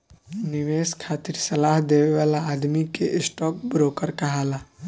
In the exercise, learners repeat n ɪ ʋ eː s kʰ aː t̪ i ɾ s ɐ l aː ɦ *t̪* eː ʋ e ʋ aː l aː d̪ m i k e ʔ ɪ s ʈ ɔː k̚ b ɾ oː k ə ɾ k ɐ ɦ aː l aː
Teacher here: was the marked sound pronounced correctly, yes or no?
no